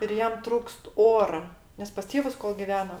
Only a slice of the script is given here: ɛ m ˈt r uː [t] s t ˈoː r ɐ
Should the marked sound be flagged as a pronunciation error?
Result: yes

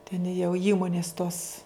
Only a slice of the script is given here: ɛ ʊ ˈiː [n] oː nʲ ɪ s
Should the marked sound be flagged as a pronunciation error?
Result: yes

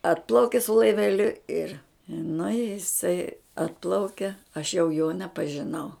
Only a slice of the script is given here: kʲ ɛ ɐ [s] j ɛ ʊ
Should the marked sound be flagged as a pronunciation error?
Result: yes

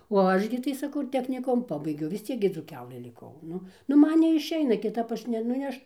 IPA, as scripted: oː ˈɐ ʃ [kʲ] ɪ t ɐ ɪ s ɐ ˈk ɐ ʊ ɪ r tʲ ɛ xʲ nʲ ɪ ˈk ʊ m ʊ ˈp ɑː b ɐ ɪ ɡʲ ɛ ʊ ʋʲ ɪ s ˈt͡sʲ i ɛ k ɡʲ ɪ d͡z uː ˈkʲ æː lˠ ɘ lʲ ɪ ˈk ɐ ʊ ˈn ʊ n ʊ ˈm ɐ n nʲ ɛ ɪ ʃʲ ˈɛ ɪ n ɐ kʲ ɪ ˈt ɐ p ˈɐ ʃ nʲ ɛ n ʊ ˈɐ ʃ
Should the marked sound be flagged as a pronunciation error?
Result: yes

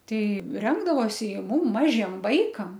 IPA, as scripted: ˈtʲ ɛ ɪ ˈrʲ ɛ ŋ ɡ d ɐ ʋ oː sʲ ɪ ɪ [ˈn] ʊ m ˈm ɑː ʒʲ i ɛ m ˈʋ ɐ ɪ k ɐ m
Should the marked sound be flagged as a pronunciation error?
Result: yes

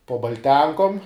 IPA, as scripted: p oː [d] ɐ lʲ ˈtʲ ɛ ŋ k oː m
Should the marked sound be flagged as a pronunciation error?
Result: yes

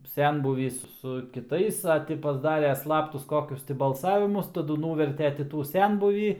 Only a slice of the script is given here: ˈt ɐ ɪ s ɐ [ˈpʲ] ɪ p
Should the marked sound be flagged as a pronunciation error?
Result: yes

